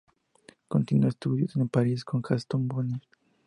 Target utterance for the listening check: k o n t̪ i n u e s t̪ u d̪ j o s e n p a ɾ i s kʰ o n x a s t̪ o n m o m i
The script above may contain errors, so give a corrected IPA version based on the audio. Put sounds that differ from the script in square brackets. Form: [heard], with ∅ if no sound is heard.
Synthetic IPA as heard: k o n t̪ i n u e s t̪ u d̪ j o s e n p a ɾ i s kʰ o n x a s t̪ o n [b] o [n] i